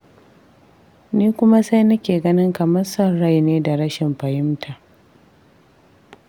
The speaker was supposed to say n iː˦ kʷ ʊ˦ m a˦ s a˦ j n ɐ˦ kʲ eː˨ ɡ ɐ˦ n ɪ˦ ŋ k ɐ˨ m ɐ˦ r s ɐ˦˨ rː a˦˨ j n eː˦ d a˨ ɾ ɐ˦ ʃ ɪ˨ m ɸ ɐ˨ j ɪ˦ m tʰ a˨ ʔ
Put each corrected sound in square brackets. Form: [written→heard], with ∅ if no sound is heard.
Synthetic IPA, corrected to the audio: n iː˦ kʷ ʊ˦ m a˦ s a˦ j n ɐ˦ kʲ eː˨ ɡ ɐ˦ n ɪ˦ ŋ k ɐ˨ m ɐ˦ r s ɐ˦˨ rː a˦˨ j n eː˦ d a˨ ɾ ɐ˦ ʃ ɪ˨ m ɸ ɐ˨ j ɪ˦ m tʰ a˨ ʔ